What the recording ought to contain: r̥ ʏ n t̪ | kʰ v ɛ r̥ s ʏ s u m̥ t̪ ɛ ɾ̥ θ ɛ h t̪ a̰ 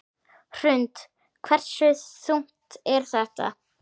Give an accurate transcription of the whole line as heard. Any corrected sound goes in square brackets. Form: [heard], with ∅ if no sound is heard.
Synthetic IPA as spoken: r̥ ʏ n t̪ | kʰ v ɛ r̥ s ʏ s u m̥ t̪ ɛ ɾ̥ θ ɛ h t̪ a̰